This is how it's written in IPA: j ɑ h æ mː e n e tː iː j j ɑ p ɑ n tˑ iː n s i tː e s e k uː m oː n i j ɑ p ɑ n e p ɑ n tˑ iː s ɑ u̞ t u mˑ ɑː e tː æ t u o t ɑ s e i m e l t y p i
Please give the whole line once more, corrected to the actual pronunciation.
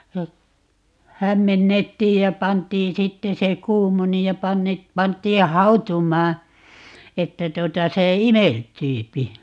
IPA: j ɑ h æ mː e nː e tː iː j j ɑ p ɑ n tˑ iː n s i tː e s e k uː m o n i j ɑ p ɑ nː e p ɑ n tˑ iː h ɑ u̞ t u mˑ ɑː e tː æ t u o t ɑ s e i m e l t yː p i